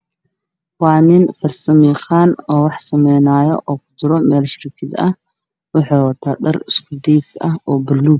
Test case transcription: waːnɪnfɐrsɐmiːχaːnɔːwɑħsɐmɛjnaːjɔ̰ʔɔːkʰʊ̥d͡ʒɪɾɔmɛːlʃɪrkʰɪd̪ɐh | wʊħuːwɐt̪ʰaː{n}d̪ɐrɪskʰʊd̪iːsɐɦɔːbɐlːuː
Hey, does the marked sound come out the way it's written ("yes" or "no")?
no